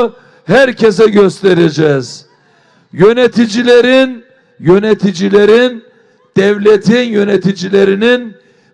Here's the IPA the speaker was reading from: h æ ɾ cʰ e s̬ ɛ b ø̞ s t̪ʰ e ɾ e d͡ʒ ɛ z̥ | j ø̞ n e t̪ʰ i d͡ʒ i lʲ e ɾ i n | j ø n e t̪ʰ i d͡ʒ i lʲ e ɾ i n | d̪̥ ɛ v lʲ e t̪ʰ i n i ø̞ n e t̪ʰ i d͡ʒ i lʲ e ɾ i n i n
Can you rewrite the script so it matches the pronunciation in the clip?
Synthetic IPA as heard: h æ ɾ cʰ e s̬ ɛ ɟ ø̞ s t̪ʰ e ɾ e d͡ʒ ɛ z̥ | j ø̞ n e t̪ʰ i d͡ʒ i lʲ e ɾ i n | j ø n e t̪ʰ i d͡ʒ i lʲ e ɾ i n | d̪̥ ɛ v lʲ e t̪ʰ i n j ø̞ n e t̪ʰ i d͡ʒ i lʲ e ɾ i n i n

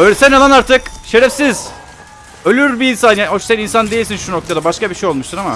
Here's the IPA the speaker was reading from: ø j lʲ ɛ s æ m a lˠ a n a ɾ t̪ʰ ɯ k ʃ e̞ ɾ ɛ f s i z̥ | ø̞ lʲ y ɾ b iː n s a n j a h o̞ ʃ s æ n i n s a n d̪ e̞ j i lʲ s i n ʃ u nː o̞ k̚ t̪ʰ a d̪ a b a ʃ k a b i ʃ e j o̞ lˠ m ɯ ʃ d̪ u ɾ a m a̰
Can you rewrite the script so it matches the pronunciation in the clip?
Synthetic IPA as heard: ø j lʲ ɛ s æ n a lˠ a n a ɾ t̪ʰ ɯ k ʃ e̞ ɾ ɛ f s i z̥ | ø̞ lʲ y ɾ b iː n s a n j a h o̞ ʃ s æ n i n s a n d̪ e̞ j i lʲ s i n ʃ u n o̞ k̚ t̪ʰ a d̪ a b a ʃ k a b i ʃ e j o̞ lˠ m u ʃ t̪ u ɾ a m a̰

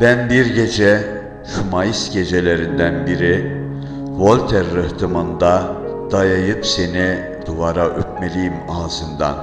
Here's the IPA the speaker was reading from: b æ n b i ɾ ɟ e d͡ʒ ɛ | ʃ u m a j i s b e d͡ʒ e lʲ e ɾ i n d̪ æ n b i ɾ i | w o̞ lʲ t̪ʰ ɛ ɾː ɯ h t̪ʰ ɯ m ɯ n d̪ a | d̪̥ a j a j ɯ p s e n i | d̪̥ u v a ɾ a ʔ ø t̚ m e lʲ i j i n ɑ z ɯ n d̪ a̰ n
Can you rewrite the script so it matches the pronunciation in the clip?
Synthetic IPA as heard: b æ n b i ɾ ɟ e d͡ʒ ɛ | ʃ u m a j i s ɟ e d͡ʒ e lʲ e ɾ i n d̪ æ n b i ɾ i | v o̞ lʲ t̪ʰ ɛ ɾː ɯ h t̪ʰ ɯ m ɯ n d̪ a | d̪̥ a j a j ɯ p s e n i | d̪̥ u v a ɾ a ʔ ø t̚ m e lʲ i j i m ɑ z ɯ n d̪ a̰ n

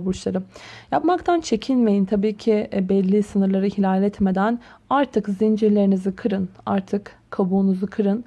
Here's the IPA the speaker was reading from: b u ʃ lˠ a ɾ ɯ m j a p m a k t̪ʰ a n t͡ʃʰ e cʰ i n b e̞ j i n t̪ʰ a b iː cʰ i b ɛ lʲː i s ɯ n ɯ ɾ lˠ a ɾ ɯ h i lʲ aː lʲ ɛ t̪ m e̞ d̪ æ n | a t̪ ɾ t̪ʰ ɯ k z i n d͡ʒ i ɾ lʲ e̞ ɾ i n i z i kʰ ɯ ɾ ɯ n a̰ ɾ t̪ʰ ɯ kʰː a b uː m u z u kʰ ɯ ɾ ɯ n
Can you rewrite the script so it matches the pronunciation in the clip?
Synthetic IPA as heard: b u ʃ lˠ a ɾ ɯ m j a p m a k t̪ʰ a n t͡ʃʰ e cʰ i n m e̞ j i n t̪ʰ a b iː cʰ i b ɛ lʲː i s ɯ n ɯ ɾ lˠ a ɾ ɯ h i lʲ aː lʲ ɛ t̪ m e̞ d̪ æ n | a ɾ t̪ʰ ɯ k z i n d͡ʒ i ɾ lʲ e̞ ɾ i n i z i kʰ ɯ ɾ ɯ n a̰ ɾ t̪ʰ ɯ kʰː a b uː n u z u kʰ ɯ ɾ ɯ n

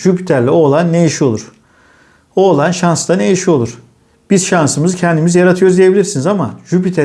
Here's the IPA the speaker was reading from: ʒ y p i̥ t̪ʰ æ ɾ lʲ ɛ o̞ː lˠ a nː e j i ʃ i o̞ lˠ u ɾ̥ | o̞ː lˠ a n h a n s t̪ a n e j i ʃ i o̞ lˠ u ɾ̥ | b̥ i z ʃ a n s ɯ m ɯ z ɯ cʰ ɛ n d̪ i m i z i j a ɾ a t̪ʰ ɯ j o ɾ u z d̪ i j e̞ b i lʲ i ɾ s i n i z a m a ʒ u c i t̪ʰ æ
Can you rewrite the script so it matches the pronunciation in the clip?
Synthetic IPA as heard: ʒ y p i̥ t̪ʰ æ ɾ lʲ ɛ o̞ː lˠ a nː e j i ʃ i o̞ lˠ u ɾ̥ | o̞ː lˠ a n ʃ a n s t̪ a n e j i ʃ i o̞ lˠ u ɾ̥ | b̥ i z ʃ a n s ɯ m ɯ z ɯ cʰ ɛ n d̪ i m i z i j a ɾ a t̪ʰ ɯ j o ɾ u z d̪ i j e̞ b i lʲ i ɾ s i n i z a m a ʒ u p i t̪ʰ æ

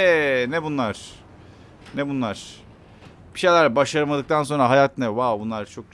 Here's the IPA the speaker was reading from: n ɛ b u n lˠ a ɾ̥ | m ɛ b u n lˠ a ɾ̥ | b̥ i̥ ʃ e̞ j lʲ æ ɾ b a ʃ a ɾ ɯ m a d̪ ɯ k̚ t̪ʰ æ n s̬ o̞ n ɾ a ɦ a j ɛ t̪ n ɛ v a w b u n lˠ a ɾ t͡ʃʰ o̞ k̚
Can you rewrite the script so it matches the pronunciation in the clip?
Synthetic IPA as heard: n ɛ b u n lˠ a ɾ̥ | n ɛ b u n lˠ a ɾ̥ | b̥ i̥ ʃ e̞ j lʲ æ ɾ b a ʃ a ɾ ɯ m a d̪ ɯ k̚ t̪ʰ a n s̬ o̞ n ɾ a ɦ a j a t̪ n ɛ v a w b u n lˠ a ɾ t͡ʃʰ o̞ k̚

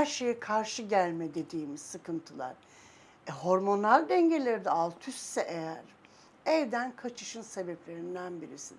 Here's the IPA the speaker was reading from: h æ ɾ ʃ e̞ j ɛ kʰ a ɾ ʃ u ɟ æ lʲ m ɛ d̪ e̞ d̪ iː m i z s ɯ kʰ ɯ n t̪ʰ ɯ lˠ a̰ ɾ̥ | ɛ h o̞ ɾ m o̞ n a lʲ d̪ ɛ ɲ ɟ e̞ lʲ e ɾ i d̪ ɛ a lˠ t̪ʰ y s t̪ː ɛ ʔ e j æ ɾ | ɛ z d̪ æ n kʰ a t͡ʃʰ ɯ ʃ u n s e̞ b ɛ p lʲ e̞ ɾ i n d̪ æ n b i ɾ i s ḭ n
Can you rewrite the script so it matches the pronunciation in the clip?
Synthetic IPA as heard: h æ ɾ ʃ e̞ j ɛ kʰ a ɾ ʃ ɯ ɟ æ lʲ m ɛ d̪ e̞ d̪ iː m i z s ɯ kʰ ɯ n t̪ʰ ɯ lˠ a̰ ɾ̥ | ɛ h o̞ ɾ m o̞ n a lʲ d̪ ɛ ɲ ɟ e̞ lʲ e ɾ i d̪ ɛ a lˠ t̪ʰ y s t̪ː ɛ ʔ e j æ ɾ | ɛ v d̪ æ n kʰ a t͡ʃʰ ɯ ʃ ɯ n s e̞ b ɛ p lʲ e̞ ɾ i n d̪ æ n b i ɾ i s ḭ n

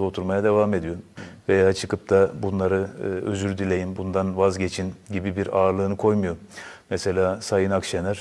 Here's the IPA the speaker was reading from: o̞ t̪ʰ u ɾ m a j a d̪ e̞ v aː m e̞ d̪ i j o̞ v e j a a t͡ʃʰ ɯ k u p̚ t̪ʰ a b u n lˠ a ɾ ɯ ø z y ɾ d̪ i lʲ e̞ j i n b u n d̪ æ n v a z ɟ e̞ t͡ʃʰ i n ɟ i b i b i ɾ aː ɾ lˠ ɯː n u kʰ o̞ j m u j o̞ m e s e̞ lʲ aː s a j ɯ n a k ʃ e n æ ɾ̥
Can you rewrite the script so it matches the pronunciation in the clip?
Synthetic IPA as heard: o̞ t̪ʰ u ɾ m a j a d̪ e̞ v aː m e̞ d̪ i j o̞ v e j a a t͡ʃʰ ɯ k ɯ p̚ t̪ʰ a b u n lˠ a ɾ ɯ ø z y ɾ d̪ i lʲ e̞ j i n b u n d̪ a n v a z ɟ e̞ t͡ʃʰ i n ɟ i b i b i ɾ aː ɾ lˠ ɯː n ɯ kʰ o̞ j m u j o̞ m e s e̞ lʲ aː s a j ɯ n a k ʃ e n æ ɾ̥

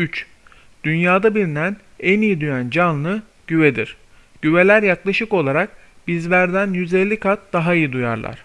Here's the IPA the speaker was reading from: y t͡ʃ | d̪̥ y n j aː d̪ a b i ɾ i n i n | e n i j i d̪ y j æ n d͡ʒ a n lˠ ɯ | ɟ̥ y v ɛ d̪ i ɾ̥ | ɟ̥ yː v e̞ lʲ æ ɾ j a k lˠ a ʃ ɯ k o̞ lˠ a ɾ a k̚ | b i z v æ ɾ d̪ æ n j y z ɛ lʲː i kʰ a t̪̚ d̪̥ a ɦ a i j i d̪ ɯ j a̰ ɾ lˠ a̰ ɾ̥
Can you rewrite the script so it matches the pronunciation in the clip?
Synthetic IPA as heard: y t͡ʃ | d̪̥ y n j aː d̪ a b i ɾ i n æ n | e n i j i d̪ y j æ n d͡ʒ a n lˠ ɯ | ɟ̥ y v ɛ d̪ i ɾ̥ | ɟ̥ y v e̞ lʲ æ ɾ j a k lˠ a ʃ ɯ k o̞ lˠ a ɾ a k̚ | b i z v æ ɾ d̪ æ n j y z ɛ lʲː i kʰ a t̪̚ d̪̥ a ɦ a i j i d̪ u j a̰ ɾ lˠ a̰ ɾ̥

